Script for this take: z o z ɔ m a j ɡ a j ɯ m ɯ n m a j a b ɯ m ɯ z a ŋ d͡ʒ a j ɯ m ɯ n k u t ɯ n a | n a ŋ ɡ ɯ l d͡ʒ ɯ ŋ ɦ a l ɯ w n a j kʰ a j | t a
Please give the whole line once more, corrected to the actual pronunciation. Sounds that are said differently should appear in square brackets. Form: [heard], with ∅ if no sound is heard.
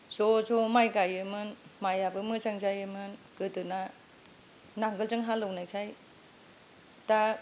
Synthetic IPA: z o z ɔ m a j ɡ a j ɯ m ɯ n m a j a b ɯ m ɯ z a ŋ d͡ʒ a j ɯ m ɯ n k [ɯ] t ɯ n a | n a ŋ ɡ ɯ l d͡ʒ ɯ ŋ ɦ a l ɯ w n a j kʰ a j | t a

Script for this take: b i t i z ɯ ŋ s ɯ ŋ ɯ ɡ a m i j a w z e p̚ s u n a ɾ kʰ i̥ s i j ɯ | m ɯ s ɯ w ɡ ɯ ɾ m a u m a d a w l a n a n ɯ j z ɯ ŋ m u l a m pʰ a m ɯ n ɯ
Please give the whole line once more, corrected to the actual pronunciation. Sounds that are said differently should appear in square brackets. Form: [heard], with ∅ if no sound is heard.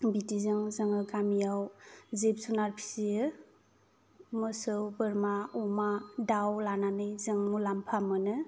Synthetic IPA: b i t i z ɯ ŋ [z] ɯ ŋ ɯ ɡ a m i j a w z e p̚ s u n a ɾ [pʰ] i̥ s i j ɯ | m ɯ s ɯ w [b] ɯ ɾ m a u m a d a w l a n a n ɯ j z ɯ ŋ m u l a m pʰ a m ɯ n ɯ

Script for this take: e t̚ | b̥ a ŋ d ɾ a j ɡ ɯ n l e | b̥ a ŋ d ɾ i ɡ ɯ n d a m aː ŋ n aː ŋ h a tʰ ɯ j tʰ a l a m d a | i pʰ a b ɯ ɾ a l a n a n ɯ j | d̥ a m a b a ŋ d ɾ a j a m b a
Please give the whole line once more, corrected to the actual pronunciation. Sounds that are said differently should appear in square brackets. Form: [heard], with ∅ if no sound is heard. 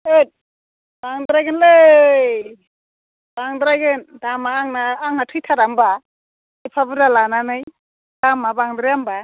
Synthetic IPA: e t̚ | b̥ a ŋ d ɾ a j ɡ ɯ n l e | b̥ a ŋ d ɾ [a] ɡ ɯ n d a m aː ŋ n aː ŋ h a tʰ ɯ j tʰ a [ɾ] a m [b] a | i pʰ a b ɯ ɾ a l a n a n ɯ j | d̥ a m a b a ŋ d ɾ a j a m b a

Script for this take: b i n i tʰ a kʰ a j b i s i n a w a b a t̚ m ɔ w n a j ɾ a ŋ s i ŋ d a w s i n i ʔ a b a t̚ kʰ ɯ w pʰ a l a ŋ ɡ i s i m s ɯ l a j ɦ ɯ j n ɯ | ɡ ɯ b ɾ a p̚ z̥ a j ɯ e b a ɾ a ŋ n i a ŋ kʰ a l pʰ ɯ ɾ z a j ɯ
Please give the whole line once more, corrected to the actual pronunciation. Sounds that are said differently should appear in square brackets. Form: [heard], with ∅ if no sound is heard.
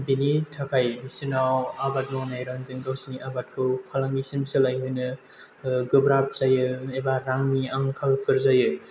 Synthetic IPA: b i n i tʰ a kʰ a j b i s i n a w a b a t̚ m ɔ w n a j ɾ a ŋ [z] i ŋ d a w s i n i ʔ a b a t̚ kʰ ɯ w pʰ a l a ŋ ɡ i s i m s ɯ l a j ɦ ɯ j n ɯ | ɡ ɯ b ɾ a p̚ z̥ a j ɯ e b a ɾ a ŋ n i a ŋ kʰ a l pʰ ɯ ɾ z a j ɯ

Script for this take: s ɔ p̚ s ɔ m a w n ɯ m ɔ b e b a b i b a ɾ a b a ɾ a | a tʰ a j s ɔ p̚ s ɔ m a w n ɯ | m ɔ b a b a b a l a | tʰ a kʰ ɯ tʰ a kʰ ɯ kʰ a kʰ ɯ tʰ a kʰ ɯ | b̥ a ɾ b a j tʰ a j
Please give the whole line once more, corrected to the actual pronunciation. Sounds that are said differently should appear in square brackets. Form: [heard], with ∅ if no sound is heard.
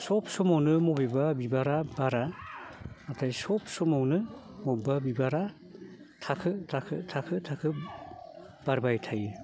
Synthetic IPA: s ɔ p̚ s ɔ m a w n ɯ m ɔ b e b a b i b a ɾ a b a ɾ a | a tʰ a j s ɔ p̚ s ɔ m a w n ɯ | m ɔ b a b [i] b a [ɾ] a | tʰ a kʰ ɯ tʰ a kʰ ɯ [tʰ] a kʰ ɯ tʰ a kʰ ɯ | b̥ a ɾ b a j tʰ a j

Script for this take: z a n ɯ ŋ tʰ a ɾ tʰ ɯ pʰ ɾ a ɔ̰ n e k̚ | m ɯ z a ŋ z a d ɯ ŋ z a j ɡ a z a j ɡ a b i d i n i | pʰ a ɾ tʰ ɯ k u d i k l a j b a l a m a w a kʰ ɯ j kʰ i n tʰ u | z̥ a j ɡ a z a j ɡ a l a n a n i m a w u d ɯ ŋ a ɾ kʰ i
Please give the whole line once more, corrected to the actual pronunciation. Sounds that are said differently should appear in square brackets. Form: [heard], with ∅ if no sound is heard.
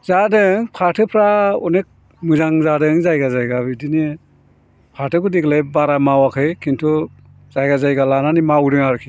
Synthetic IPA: z a [d] ɯ ŋ [pʰ] a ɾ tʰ ɯ pʰ ɾ a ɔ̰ n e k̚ | m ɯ z a ŋ z a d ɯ ŋ z a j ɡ a z a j ɡ a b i d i n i | pʰ a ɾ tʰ ɯ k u d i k l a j b a [ɾ] a m a w a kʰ ɯ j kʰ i n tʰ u | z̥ a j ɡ a z a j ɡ a l a n a n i m a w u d ɯ ŋ a ɾ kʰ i

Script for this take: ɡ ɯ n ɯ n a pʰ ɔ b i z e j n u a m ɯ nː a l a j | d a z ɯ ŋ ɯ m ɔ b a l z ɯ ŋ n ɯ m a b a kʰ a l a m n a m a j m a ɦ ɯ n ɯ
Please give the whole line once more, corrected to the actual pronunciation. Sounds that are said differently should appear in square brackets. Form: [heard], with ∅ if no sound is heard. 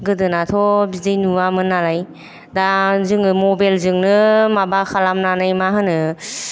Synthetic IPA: ɡ ɯ [d] ɯ n a [tʰ] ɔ b i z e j n u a m ɯ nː a l a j | d a z ɯ ŋ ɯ m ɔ b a l z ɯ ŋ n ɯ m a b a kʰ a l a m n a [n] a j m a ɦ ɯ n ɯ

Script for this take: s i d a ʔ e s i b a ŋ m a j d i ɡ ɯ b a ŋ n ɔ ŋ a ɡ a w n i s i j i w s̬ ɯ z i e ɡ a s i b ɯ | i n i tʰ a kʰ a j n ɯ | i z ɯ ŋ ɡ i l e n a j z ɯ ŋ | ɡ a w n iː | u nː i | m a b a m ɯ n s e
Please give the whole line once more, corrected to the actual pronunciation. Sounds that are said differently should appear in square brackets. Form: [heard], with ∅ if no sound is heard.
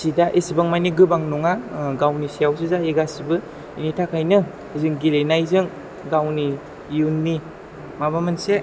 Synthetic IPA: s i d a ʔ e s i b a ŋ m a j [n] i ɡ ɯ b a ŋ n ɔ ŋ a ɡ a w n i s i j [a] w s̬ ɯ z [a] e ɡ a s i b ɯ | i n i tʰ a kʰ a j n ɯ | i z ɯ ŋ ɡ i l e n a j z ɯ ŋ | ɡ a w n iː | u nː i | m a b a m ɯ n s e

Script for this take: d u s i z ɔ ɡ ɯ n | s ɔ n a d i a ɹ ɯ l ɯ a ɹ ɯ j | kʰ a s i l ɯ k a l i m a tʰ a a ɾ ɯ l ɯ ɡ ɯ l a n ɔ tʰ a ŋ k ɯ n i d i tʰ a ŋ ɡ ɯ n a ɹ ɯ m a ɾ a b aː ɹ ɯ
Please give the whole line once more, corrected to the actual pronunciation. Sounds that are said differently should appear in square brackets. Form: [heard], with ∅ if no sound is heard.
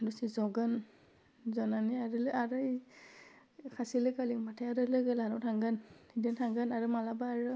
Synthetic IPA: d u s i z ɔ ɡ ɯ n | [z] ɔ n a [n] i a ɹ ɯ l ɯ a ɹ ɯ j | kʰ a s i l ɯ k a l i m a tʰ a a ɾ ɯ l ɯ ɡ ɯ l a n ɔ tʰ a ŋ [ɡ] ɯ n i d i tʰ a ŋ ɡ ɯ n a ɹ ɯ m a [l] a b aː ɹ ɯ

